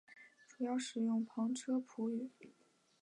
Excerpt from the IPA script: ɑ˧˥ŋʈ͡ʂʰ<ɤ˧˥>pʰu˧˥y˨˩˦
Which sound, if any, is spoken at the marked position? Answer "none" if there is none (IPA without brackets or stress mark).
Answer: ɤ˥